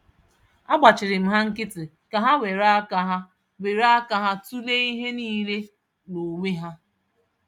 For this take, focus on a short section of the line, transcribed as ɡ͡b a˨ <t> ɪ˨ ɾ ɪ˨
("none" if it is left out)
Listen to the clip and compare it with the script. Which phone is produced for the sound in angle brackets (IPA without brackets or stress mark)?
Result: t͡ʃ